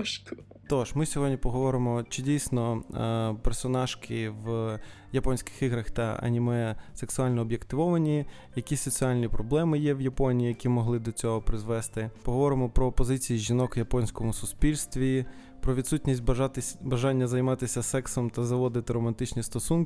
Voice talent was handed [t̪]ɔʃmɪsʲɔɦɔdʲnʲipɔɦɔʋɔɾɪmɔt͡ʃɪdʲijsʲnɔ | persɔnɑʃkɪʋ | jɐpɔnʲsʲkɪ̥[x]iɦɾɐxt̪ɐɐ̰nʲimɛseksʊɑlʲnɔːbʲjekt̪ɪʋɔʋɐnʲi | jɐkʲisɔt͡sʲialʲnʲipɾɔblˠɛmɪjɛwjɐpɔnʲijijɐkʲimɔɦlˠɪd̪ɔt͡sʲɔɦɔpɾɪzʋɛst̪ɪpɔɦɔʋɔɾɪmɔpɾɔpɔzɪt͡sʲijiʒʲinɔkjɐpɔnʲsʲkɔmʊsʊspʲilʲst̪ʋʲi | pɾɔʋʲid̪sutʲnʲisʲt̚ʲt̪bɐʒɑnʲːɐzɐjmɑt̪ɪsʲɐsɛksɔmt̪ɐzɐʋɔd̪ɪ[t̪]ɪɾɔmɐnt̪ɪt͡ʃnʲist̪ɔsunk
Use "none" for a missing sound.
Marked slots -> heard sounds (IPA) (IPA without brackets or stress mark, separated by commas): t̪, x, t̪